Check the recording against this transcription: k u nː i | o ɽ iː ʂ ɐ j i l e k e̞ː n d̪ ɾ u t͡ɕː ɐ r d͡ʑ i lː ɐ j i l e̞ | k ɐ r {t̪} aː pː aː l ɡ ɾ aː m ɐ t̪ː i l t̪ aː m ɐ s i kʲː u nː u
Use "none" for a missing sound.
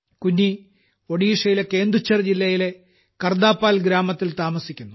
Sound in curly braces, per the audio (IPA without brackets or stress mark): d̪